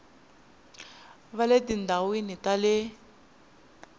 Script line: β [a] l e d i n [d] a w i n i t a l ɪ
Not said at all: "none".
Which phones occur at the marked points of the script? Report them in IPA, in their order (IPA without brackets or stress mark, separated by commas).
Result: a, d